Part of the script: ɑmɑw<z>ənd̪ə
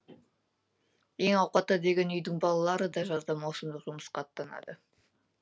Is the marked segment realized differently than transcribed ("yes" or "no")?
yes